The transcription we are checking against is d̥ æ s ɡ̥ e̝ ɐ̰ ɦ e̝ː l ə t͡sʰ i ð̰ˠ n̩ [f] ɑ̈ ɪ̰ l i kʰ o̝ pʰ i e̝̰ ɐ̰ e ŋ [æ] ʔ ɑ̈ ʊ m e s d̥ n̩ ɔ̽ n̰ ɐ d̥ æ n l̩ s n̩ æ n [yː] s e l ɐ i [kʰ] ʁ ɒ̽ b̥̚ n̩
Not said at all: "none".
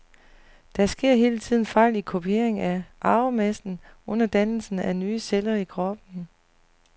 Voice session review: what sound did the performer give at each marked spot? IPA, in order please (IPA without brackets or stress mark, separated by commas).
f, æ, yː, kʰ